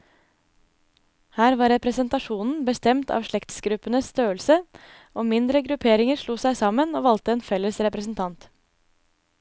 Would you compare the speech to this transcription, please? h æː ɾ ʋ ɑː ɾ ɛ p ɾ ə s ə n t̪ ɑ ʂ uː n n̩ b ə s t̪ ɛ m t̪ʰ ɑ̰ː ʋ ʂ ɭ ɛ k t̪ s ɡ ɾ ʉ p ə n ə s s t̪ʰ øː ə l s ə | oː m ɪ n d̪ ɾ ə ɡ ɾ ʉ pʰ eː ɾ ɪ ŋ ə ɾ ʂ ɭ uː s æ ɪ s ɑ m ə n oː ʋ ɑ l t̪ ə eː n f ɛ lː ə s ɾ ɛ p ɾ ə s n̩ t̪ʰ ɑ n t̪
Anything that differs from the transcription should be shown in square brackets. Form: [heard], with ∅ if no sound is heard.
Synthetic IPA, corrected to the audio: h æː ɾ ʋ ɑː ɾ ɛ p ɾ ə s ə n t̪ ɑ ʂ uː n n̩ b ə s t̪ ɛ m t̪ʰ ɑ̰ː ʋ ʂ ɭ ɛ k t̪ s ɡ ɾ ʉ p ə n ə s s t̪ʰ øː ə l s ə | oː m ɪ n d̪ ɾ ə ɡ ɾ ʉ pʰ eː ɾ ɪ ŋ ə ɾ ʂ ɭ uː s æ ɪ s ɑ m ə n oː ʋ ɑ l t̪ ə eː n f ɛ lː ə s ɾ ɛ p ɾ ə s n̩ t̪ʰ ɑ n t̪